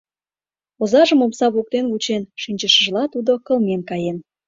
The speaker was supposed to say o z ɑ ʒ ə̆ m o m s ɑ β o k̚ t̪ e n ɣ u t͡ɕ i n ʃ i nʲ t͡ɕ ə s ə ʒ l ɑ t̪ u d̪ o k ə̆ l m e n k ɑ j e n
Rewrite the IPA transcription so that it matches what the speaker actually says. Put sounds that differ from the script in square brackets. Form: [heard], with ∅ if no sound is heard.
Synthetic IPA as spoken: o z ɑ ʒ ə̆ m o m s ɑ β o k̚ t̪ e n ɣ u t͡ɕ [e] n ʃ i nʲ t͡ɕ ə [ʃ] ə ʒ l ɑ t̪ u d̪ o k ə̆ l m e n k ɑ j e n